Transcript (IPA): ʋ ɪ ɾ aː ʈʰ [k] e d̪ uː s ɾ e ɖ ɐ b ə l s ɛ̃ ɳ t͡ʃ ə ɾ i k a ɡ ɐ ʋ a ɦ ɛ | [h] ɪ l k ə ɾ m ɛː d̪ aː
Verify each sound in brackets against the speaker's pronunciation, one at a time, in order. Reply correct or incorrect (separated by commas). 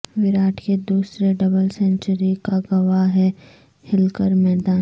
correct, correct